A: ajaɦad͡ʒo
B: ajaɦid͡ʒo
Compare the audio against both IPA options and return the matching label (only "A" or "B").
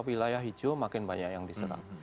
B